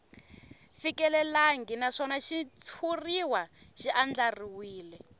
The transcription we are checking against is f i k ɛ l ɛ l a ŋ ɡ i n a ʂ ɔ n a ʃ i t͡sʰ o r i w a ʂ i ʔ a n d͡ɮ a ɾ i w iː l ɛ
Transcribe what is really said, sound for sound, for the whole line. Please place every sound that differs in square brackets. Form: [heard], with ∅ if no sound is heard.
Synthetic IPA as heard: f i k ɛ l ɛ l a ŋ ɡ i n a ʂ ɔ n a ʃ i t͡sʰ [u] r i w a [ʃ] i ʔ a n d͡ɮ a [r] i w iː l ɛ